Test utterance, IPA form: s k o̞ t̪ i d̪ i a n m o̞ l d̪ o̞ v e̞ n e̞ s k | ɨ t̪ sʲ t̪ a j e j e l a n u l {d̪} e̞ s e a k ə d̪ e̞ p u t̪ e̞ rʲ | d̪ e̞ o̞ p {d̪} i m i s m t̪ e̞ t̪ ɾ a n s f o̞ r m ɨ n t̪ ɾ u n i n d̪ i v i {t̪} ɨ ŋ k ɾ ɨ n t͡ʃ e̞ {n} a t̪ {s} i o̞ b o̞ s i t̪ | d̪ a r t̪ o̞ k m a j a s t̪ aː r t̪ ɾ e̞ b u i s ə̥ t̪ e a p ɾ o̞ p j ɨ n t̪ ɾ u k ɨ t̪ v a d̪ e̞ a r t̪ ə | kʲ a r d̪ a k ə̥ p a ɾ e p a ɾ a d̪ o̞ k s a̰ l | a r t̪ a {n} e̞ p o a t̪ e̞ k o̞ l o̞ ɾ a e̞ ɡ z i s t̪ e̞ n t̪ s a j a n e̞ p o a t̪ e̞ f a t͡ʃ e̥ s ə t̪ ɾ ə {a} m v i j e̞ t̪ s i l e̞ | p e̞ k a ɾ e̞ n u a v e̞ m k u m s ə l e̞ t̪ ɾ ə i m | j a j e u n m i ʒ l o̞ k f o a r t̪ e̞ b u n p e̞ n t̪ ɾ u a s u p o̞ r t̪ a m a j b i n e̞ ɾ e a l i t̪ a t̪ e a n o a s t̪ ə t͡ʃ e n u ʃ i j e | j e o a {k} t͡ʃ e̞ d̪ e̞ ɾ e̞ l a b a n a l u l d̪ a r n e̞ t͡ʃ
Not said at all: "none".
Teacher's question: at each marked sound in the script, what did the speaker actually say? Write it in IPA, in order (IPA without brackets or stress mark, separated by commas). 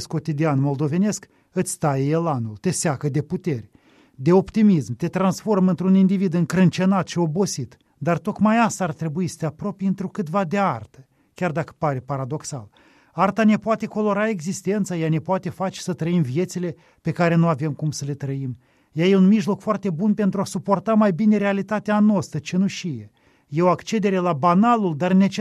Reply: t̪, t̪, d̪, n, ʃ, n, i, k